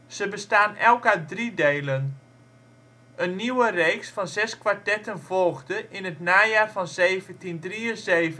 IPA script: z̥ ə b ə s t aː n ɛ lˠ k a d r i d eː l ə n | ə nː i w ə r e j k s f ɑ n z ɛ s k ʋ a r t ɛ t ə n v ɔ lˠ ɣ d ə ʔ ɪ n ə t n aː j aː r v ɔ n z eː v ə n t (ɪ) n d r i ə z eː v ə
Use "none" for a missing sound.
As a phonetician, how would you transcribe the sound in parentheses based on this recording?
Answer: i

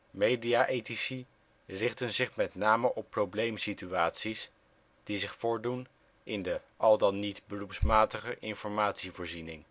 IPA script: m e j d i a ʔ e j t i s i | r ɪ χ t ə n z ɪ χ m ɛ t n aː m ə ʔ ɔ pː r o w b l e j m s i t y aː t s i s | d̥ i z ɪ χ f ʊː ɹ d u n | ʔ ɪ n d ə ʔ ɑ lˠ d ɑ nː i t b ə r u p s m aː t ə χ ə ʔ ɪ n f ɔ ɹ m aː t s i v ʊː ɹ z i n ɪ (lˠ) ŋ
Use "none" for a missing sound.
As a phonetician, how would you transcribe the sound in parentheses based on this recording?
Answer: none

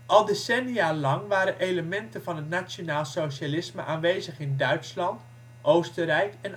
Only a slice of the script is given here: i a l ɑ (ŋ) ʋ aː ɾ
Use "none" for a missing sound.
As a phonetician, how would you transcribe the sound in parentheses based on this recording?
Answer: ŋ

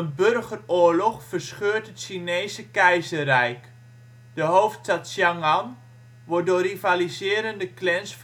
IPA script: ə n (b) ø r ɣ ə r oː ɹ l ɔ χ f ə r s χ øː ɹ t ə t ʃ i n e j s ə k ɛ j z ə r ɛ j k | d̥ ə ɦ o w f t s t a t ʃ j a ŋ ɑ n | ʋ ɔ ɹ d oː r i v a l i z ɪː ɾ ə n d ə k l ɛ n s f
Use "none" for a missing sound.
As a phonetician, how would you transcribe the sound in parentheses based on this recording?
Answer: b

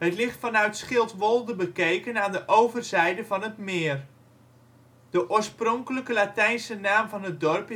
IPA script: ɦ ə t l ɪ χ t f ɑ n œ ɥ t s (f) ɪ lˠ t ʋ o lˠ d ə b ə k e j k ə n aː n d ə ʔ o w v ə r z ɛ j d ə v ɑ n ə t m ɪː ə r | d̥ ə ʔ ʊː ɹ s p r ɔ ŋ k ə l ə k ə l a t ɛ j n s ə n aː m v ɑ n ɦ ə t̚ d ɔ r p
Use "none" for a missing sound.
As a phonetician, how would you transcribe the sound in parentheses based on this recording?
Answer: χ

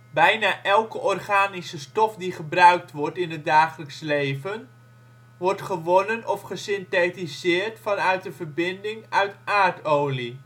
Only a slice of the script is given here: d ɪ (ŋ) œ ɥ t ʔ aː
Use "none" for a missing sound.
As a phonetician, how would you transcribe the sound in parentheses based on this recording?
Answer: ŋ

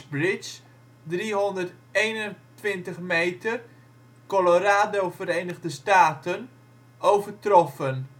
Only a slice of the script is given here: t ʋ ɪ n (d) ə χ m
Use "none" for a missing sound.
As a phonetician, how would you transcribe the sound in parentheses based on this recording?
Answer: t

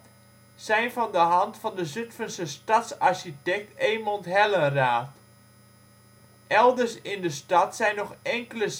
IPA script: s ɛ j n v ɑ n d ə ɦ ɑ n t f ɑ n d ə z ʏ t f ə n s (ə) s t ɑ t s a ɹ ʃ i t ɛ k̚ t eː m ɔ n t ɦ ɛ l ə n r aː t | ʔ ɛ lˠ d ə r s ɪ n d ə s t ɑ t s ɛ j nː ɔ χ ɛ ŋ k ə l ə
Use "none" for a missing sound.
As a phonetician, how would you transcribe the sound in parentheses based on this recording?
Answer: ə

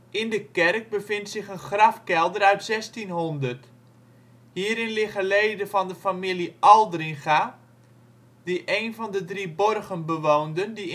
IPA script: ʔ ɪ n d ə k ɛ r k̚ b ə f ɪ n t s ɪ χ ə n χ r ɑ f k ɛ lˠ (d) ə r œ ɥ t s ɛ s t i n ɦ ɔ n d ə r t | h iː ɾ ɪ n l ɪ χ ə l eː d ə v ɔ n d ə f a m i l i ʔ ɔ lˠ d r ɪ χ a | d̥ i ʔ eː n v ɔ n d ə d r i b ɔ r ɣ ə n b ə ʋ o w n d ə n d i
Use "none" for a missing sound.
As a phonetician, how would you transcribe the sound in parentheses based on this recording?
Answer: d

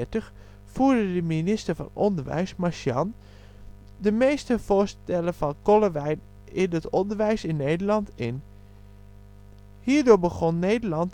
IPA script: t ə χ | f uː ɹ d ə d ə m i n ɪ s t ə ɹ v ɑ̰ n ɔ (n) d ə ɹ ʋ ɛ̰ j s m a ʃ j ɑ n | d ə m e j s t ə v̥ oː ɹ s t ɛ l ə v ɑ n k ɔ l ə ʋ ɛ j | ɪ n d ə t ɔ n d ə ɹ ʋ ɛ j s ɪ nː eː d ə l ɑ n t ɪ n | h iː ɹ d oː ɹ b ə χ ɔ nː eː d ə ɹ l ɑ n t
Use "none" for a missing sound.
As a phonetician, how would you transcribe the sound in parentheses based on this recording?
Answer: n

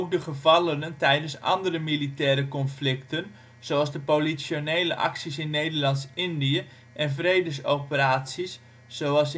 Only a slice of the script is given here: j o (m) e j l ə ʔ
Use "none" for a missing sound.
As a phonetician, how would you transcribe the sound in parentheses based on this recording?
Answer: n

